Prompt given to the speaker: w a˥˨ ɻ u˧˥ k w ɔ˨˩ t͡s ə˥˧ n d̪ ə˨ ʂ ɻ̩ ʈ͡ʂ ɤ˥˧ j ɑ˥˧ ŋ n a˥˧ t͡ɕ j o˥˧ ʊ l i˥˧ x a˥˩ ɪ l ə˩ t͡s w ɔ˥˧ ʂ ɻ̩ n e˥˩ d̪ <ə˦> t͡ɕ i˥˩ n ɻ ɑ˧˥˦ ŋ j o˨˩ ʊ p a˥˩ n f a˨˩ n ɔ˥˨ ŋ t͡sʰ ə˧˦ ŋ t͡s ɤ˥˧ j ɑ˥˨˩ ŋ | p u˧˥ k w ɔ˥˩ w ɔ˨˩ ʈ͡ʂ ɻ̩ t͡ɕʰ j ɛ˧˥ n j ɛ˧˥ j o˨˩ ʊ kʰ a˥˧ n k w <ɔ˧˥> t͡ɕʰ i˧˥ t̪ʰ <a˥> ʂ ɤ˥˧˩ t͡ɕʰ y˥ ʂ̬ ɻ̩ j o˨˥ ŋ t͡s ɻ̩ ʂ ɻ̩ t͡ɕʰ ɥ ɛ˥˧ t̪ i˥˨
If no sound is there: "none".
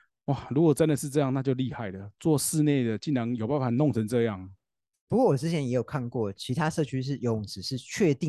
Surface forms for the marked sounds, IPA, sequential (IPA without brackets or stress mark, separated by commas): ə˩, ɔ˥˩, a˥